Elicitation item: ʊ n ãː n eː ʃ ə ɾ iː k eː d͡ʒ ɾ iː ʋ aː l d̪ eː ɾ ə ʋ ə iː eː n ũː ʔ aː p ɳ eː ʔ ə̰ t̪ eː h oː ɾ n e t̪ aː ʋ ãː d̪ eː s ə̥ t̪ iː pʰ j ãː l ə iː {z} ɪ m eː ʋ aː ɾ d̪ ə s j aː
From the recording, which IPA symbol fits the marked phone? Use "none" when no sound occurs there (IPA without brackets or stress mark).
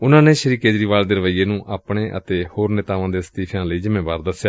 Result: z